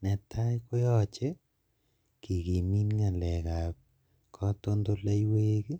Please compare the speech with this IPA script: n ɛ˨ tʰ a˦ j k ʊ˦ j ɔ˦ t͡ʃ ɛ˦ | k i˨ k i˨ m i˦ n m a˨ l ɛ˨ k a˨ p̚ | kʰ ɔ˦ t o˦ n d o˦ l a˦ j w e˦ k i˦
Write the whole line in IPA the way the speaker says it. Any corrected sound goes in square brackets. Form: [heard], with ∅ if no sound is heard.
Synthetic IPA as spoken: n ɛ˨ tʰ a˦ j k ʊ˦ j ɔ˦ t͡ʃ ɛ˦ | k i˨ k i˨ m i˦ n [ŋ] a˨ l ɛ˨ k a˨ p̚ | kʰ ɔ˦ t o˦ n d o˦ l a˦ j w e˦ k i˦